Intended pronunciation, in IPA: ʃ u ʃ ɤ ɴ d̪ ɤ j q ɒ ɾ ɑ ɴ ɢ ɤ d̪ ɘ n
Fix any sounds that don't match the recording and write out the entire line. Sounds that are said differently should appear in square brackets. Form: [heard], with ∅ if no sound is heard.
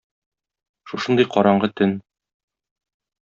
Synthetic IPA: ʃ u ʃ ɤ [n] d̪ ɤ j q ɒ ɾ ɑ ɴ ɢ ɤ [t̪] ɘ n